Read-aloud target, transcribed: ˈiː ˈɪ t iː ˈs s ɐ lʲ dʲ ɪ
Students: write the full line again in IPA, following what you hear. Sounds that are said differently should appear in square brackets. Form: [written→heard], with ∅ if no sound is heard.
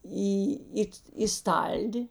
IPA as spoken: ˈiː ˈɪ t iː ˈs [s→t] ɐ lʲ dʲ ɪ